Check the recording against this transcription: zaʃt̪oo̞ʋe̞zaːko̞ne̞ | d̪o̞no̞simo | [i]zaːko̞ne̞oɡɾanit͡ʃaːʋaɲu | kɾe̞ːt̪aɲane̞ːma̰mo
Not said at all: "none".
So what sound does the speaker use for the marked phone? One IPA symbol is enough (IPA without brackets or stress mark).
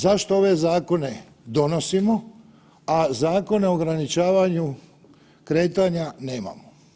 a